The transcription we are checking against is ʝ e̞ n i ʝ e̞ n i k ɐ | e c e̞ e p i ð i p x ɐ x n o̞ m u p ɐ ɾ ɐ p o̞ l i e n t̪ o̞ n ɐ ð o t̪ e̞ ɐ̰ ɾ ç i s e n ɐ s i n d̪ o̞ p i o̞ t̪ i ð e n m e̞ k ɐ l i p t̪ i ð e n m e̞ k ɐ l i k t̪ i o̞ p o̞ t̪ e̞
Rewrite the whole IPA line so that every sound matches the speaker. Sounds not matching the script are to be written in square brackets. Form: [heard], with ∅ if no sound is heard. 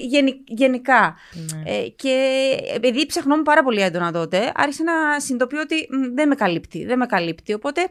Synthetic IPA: ʝ e̞ n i ʝ e̞ n i k ɐ | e c e̞ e p i ð i p [s] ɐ x n o̞ m u p ɐ ɾ ɐ p o̞ l i e n [d̪] o̞ n ɐ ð o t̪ e̞ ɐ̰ ɾ ç i s e n ɐ s i n d̪ o̞ p i o̞ t̪ i ð e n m e̞ k ɐ l i p t̪ i ð e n m e̞ k ɐ l i [p] t̪ i o̞ p o̞ t̪ e̞